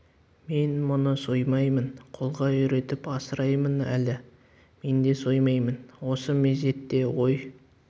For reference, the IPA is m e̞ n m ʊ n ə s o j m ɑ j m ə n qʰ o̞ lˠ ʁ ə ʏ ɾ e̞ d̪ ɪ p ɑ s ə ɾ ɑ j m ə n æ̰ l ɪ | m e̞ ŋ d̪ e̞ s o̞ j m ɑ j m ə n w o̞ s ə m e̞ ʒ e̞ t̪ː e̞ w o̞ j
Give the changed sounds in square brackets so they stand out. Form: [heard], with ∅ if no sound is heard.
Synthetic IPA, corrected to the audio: m e̞ n m ʊ n ə s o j m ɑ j m ə n qʰ o̞ lˠ ʁ [ɑ] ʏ ɾ e̞ [t̪] ɪ p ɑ s ə ɾ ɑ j m ə n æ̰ l ɪ | m e̞ [n] d̪ e̞ s o̞ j m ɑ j m ə n w o̞ s ə m e̞ [z] e̞ t̪ː e̞ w o̞ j

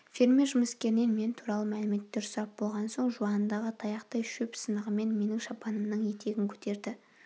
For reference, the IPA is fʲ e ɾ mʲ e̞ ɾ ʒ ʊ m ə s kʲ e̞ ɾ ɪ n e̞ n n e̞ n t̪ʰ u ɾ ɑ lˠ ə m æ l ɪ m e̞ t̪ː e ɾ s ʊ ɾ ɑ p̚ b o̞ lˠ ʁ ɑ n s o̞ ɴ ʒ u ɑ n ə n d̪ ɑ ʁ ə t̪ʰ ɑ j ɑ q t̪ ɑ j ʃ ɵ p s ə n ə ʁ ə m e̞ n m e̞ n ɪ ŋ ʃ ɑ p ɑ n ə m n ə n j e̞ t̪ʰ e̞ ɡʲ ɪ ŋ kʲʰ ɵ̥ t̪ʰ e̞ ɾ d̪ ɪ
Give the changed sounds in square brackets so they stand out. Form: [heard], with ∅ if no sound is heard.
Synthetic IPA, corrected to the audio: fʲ e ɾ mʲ e̞ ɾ ʒ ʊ m ə s kʲ e̞ ɾ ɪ n e̞ n [m] e̞ n t̪ʰ u ɾ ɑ lˠ ə m æ l ɪ m e̞ t̪ː e ɾ s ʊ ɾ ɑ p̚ b o̞ lˠ ʁ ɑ n s o̞ ɴ ʒ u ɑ n ə n d̪ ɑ ʁ ə t̪ʰ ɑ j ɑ q t̪ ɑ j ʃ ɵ p s ə n ə ʁ ə m e̞ n m e̞ n ɪ ŋ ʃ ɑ p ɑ n ə m n ə [ɴ] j e̞ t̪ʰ e̞ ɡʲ ɪ ŋ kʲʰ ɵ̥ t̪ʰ e̞ ɾ d̪ ɪ

